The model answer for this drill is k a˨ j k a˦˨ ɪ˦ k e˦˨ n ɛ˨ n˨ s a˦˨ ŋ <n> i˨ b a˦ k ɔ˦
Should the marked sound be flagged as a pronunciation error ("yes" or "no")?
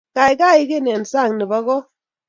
no